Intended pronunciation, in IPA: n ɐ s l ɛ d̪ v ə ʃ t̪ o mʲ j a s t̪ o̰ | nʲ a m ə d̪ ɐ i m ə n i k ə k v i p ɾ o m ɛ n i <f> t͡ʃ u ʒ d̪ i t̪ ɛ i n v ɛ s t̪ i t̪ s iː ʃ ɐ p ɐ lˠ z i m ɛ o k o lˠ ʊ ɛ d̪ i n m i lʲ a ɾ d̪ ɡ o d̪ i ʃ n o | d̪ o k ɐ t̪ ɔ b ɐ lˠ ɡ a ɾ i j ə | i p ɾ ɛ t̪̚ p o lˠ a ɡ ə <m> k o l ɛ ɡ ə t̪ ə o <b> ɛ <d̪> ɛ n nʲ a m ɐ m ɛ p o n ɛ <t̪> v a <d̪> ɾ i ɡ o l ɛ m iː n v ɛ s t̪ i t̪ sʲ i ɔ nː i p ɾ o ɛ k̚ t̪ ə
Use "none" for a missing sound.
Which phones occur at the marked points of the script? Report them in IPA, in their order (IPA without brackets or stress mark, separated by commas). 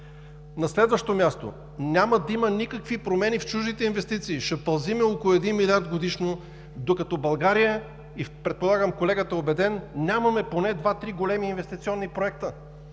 f, m, b, d̪, d̪, t̪